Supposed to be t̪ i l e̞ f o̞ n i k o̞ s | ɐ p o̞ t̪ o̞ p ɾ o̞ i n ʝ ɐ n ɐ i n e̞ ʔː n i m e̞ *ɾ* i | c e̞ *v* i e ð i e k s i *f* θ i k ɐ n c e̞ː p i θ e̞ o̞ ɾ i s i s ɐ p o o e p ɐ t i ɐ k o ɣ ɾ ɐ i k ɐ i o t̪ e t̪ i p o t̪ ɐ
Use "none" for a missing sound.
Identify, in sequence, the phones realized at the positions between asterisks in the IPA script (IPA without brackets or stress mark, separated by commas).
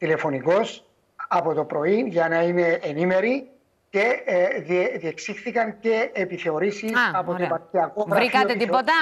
ɾ, ð, x